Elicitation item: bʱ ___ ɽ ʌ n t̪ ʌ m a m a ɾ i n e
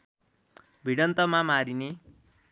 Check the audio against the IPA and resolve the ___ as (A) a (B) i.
B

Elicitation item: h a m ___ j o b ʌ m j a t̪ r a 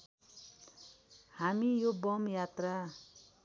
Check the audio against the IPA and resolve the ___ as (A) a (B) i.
B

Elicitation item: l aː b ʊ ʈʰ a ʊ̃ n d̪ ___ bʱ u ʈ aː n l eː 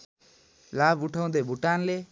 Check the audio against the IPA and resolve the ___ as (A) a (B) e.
B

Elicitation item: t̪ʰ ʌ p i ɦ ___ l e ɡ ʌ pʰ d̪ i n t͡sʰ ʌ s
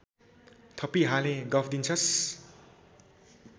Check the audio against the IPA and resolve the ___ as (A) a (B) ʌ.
A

